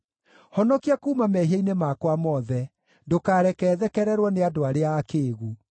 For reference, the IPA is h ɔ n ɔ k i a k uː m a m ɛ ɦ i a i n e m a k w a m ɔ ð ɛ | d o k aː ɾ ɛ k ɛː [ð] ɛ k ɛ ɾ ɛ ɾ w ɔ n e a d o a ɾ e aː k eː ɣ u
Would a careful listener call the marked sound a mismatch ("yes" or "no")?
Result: no